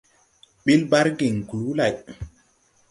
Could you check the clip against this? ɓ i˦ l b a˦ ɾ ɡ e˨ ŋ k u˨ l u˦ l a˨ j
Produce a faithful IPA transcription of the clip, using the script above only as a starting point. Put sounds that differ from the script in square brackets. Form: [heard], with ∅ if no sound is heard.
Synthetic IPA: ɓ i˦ l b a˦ ɾ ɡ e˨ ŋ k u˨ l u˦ l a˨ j